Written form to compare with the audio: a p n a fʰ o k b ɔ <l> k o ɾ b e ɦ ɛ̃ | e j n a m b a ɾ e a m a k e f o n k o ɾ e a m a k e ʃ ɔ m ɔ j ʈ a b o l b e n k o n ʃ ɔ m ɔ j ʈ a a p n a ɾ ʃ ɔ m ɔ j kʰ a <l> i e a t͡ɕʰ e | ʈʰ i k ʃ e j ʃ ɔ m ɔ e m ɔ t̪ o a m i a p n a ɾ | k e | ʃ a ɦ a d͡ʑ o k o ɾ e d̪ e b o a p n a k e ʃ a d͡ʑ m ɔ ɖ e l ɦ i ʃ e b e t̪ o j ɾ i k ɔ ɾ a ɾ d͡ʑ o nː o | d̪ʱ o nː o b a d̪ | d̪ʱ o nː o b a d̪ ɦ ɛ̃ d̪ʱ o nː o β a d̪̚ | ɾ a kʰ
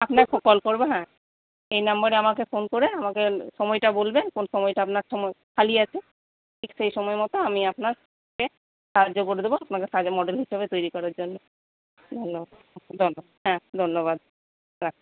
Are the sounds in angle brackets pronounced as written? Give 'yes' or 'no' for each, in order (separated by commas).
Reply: yes, yes